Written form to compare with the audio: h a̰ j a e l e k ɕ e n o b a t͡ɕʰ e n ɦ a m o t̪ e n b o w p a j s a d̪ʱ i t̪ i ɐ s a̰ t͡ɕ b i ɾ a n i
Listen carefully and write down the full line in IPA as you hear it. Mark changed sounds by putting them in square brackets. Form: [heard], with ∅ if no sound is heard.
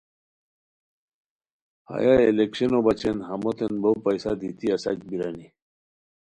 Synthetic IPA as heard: h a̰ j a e l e k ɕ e n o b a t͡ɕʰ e n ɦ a m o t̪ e n b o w p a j s a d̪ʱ i t̪ i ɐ s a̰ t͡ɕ b i ɾ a n i